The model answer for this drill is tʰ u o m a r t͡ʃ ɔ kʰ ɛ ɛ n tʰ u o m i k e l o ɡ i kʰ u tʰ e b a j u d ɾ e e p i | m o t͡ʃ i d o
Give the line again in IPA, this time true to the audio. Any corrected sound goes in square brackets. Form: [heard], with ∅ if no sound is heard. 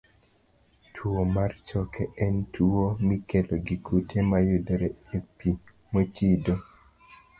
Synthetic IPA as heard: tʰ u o m a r t͡ʃ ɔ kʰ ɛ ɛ n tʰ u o m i k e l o ɡ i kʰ u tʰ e [m] a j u d ɾ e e p i | m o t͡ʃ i d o

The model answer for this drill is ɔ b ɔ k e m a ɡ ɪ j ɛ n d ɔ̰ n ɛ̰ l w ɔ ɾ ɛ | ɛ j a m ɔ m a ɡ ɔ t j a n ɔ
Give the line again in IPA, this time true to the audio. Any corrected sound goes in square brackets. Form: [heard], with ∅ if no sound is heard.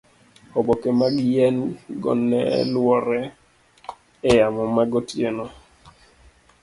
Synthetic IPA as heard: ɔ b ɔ k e m a ɡ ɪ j ɛ n [ɡ] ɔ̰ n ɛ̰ l w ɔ ɾ ɛ | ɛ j a m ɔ m a ɡ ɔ t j [e] n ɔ

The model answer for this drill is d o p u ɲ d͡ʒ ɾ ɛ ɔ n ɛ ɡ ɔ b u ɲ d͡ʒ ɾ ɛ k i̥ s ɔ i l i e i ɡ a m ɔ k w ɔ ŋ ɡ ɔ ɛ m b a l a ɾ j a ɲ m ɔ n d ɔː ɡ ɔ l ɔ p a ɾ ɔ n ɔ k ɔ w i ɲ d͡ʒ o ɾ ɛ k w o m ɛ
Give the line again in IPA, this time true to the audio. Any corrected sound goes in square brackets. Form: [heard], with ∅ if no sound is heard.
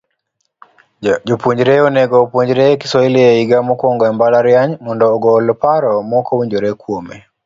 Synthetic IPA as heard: [d͡ʒ] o p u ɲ d͡ʒ ɾ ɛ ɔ n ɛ ɡ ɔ [p] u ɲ d͡ʒ ɾ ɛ k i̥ s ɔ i l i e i ɡ a m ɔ k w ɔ ŋ ɡ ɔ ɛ m b a l a ɾ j a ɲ m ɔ n d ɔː ɡ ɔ l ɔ p a ɾ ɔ [m] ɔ k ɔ w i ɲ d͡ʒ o ɾ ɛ k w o m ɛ

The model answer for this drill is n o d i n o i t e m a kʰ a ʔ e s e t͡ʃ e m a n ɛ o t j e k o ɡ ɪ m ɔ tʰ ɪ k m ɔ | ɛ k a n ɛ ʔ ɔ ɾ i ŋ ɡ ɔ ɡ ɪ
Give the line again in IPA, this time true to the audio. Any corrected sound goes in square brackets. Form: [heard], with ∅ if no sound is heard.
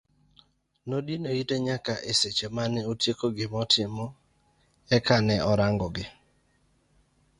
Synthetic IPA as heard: n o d i n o i t e [ɲ] a [k] a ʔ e s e t͡ʃ e m a n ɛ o t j e k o ɡ ɪ m ɔ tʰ ɪ [∅] m ɔ | ɛ k a n ɛ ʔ ɔ ɾ [a] ŋ ɡ ɔ ɡ ɪ

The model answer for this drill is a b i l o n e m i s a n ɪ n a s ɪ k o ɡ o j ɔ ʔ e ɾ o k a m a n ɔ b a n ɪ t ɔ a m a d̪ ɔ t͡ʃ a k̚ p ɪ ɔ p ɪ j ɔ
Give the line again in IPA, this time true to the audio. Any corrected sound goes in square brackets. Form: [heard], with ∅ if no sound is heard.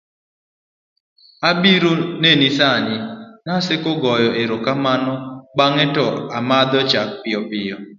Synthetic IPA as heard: a b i [ɾ] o n e [n] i s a [ɲ] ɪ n a s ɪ k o ɡ [ɔ] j ɔ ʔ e ɾ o k a m a n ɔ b a [ŋ] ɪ t ɔ a m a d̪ ɔ t͡ʃ a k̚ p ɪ ɔ p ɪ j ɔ

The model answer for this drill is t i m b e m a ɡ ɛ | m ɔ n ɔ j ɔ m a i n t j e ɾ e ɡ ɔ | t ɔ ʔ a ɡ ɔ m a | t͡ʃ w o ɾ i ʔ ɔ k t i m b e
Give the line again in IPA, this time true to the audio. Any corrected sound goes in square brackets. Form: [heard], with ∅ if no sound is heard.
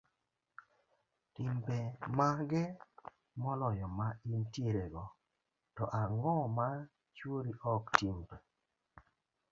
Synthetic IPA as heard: t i m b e m a ɡ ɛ | m ɔ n ɔ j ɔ m a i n t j e ɾ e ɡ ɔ | t ɔ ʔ a [ŋ] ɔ m a | t͡ʃ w o ɾ i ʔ ɔ k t i m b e

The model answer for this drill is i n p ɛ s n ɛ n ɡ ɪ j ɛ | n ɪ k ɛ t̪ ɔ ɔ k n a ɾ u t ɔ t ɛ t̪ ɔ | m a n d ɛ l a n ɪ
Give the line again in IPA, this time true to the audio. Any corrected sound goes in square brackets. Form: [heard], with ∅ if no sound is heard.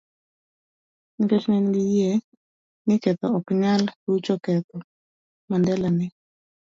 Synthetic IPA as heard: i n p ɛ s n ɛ n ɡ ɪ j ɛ | n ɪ k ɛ t̪ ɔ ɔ k [ɲ] a [l] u [t͡ʃ] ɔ [k] ɛ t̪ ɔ | m a n d ɛ l a n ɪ

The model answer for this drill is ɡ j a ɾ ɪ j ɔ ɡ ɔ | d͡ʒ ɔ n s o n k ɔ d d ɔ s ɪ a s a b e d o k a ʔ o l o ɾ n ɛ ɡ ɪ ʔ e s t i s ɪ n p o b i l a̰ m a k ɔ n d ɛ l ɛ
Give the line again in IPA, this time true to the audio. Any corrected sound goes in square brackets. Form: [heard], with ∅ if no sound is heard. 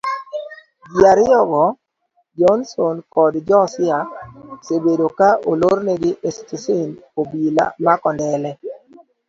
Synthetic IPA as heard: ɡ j a ɾ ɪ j ɔ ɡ ɔ | d͡ʒ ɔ n s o n k ɔ d [d͡ʒ] ɔ s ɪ a s [e] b e d o k a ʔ o l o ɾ n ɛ ɡ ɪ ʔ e s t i s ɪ n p o b i l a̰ m a k ɔ n d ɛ l ɛ

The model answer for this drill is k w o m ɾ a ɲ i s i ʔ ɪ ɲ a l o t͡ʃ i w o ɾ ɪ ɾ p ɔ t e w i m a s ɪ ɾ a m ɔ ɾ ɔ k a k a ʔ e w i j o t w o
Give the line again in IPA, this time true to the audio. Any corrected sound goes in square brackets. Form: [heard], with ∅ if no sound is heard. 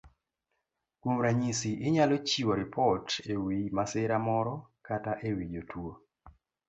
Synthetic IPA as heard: k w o m ɾ a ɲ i s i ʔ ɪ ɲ a l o t͡ʃ i w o ɾ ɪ [∅] p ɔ t e w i m a s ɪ ɾ a m ɔ ɾ ɔ k a [t] a ʔ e w i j o t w o

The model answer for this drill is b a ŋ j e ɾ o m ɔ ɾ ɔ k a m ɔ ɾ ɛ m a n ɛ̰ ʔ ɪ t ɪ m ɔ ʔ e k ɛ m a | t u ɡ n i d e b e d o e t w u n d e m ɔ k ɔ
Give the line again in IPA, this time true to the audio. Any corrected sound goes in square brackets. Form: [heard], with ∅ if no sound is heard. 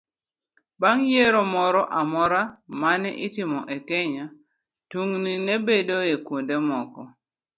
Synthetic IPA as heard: b a ŋ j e ɾ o m ɔ ɾ ɔ [ʔ] a m ɔ ɾ [a] m a n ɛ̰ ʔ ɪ t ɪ m ɔ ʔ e k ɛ [ɲ] a | t u [ŋ] n i [n] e b e d o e [k] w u n d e m ɔ k ɔ

